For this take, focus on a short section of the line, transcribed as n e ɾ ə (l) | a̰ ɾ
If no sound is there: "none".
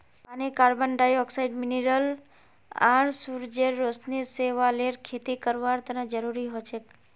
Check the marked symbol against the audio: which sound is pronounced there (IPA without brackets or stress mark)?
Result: l